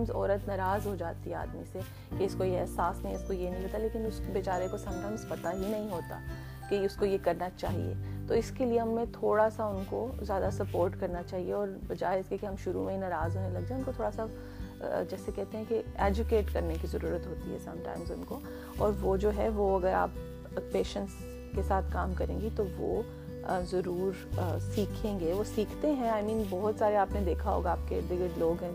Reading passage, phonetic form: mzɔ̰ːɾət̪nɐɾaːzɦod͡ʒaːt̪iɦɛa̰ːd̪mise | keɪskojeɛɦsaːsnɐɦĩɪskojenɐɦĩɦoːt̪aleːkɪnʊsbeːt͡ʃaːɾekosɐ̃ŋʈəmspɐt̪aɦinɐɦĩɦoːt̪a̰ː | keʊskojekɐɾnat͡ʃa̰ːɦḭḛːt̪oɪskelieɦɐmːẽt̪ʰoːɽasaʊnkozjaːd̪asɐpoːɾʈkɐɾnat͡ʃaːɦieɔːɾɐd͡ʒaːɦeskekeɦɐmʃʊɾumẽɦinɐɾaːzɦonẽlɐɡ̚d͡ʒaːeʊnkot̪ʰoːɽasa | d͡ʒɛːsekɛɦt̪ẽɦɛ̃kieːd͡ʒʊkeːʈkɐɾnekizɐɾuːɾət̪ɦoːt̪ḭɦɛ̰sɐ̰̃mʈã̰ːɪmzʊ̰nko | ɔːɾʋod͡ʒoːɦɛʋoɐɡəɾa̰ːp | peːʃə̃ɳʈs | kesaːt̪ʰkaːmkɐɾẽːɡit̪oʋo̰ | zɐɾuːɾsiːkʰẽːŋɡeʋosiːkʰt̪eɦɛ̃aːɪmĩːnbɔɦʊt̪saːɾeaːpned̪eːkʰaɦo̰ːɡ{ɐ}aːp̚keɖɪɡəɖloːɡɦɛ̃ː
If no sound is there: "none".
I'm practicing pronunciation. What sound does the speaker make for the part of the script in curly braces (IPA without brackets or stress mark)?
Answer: a